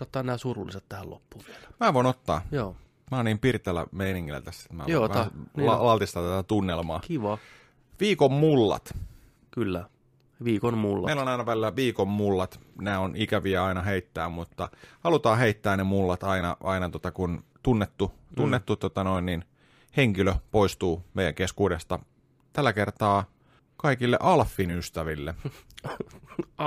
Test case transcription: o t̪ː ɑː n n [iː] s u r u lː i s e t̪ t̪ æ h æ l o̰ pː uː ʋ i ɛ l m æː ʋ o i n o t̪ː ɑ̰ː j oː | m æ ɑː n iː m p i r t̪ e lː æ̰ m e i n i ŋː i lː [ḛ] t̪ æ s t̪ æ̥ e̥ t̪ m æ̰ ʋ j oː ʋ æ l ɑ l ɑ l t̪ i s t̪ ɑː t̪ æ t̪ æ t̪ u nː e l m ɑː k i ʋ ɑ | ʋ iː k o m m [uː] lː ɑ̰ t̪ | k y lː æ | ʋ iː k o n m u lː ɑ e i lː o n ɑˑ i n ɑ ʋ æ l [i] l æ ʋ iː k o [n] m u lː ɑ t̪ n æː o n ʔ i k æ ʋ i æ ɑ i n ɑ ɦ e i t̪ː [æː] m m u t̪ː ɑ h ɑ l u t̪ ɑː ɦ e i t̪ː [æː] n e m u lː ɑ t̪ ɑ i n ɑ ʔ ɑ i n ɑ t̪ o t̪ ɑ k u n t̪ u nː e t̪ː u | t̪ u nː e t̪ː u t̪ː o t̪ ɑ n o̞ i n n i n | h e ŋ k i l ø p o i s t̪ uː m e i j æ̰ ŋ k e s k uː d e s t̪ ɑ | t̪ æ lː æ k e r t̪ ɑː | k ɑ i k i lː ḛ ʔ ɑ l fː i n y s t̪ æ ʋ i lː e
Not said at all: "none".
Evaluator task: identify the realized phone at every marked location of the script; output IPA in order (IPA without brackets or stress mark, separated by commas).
æː, æ̰, u, i, m, æː, æː